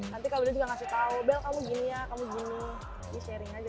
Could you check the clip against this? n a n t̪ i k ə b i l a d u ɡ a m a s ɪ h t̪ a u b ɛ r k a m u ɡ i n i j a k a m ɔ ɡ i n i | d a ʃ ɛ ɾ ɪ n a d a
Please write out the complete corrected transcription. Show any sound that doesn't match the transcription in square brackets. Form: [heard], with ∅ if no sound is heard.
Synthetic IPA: n a n t̪ i k [a] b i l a [d͡ʒ] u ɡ a [ŋ] a s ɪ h t̪ a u b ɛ [l] k a m u ɡ i n i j a k a m [u] ɡ i n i | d [i] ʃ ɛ ɾ ɪ [ŋ] a [d͡ʒ] a